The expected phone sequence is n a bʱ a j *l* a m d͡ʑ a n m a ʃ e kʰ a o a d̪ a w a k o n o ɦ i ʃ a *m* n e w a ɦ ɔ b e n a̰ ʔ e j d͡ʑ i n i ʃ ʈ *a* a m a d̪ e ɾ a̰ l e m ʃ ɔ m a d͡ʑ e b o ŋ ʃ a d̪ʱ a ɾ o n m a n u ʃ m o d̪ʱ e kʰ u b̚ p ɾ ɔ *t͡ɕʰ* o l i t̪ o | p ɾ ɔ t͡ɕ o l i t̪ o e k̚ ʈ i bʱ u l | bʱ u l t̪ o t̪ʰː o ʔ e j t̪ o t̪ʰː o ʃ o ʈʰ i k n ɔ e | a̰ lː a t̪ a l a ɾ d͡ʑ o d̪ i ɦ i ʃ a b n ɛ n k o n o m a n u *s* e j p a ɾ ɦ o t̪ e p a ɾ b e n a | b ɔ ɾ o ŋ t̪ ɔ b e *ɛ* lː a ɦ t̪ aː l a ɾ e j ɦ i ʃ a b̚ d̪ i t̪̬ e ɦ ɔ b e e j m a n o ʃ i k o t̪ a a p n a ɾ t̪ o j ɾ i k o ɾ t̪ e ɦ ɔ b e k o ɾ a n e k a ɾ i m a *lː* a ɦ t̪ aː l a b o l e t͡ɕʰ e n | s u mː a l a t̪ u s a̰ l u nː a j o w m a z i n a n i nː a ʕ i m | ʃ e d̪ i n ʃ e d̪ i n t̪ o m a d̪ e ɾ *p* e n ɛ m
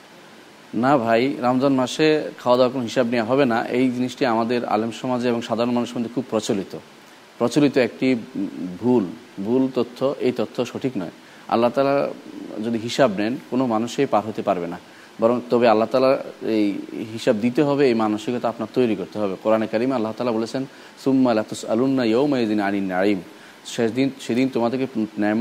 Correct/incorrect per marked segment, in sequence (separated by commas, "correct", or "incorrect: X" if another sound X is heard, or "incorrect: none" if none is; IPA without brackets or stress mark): incorrect: ɾ, incorrect: b, incorrect: i, incorrect: t͡ɕ, incorrect: ʃ, incorrect: a, correct, incorrect: k